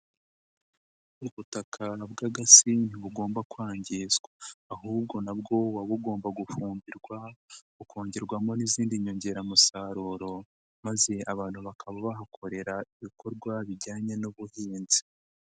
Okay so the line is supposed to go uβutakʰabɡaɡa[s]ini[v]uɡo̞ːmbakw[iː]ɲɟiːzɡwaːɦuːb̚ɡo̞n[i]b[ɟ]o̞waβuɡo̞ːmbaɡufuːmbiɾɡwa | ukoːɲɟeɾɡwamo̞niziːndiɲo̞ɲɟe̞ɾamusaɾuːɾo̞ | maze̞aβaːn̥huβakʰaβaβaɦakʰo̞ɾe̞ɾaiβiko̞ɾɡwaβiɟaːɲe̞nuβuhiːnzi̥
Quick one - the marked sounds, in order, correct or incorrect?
correct, incorrect: β, incorrect: aː, incorrect: a, incorrect: ɡ

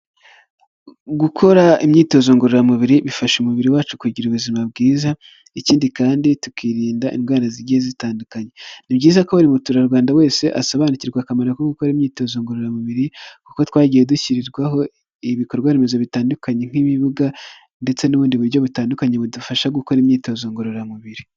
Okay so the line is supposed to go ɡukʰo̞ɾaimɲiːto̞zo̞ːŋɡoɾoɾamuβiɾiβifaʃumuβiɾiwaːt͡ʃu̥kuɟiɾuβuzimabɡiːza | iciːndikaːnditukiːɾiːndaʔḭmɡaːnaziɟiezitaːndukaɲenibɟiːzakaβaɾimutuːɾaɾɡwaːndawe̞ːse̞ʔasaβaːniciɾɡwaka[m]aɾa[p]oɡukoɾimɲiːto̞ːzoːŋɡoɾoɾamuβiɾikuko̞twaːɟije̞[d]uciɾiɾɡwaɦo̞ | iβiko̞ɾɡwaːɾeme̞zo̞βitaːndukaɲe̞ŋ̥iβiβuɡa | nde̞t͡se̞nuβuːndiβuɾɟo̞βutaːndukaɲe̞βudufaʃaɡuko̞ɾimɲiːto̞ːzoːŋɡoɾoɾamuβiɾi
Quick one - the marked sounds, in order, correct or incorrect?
correct, incorrect: k, correct

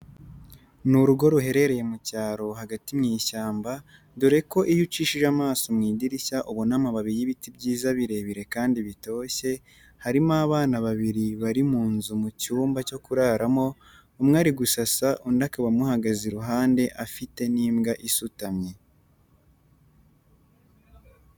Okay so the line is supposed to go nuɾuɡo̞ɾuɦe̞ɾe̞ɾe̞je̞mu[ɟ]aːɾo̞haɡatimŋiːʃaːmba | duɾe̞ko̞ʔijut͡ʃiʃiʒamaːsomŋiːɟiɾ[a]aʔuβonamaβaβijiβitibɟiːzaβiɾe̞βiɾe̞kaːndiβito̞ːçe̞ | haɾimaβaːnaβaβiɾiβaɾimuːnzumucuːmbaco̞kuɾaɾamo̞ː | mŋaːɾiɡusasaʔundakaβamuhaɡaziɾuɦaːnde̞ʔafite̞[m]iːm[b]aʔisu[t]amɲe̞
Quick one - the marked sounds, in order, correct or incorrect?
incorrect: c, incorrect: i, incorrect: n, incorrect: ɡ, correct

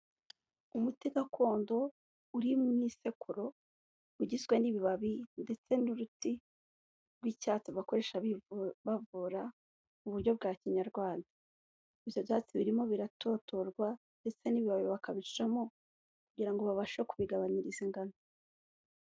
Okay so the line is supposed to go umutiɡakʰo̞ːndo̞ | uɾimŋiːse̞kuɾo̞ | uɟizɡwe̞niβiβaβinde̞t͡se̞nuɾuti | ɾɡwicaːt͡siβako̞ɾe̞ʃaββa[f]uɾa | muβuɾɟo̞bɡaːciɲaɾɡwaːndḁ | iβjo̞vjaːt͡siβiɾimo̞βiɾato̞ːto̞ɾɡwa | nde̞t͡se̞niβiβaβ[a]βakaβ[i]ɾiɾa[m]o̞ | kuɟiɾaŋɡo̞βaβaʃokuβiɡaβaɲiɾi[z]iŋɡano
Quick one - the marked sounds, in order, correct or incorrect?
incorrect: v, incorrect: i, correct, correct, correct

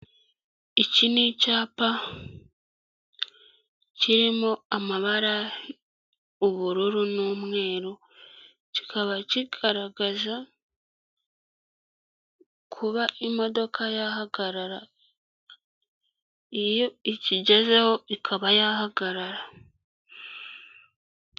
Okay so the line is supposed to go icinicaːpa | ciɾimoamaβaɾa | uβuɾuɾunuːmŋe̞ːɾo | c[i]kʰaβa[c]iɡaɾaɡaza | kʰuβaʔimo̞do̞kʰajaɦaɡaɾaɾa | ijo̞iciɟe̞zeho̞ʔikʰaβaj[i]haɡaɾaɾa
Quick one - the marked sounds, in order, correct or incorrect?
correct, correct, incorrect: a

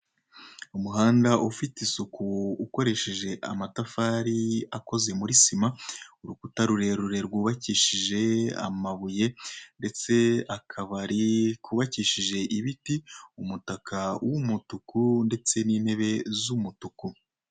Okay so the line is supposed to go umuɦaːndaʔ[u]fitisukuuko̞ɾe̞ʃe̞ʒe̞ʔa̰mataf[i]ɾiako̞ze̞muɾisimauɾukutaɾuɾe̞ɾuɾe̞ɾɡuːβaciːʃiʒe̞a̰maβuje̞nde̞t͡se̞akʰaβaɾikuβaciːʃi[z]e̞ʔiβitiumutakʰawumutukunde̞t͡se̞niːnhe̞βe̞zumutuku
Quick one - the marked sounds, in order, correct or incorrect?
correct, incorrect: a, incorrect: ʒ

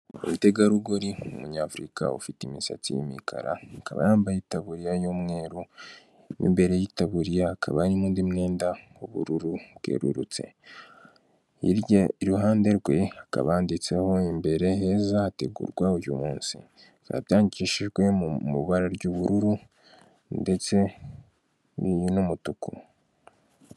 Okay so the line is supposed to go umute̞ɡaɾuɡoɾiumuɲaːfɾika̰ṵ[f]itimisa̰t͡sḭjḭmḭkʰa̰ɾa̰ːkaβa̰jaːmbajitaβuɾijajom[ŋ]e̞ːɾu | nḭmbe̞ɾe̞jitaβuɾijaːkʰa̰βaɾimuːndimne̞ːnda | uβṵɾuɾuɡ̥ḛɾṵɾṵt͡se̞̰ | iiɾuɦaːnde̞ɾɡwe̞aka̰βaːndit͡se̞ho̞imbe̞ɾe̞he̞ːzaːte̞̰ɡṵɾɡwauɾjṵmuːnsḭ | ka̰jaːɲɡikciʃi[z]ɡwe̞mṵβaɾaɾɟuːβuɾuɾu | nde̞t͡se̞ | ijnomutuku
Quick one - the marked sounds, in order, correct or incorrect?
correct, correct, incorrect: ʒ

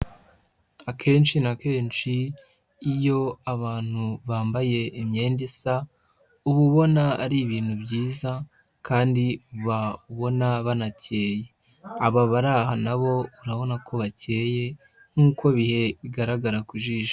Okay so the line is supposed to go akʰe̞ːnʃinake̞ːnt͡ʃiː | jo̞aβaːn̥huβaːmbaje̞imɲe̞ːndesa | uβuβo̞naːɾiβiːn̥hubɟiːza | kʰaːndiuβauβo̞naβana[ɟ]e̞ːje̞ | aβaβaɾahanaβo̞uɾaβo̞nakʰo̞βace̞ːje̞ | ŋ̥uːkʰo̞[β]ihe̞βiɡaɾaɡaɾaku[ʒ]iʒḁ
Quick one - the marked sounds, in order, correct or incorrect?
incorrect: c, correct, correct

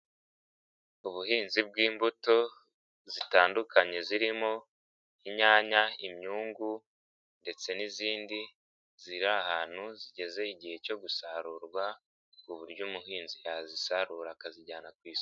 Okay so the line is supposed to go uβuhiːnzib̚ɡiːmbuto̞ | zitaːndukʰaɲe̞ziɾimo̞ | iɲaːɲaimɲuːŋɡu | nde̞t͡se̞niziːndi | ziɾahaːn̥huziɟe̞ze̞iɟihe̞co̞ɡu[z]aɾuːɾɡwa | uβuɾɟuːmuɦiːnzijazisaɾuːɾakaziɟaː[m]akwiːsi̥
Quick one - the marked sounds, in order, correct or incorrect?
incorrect: s, incorrect: n

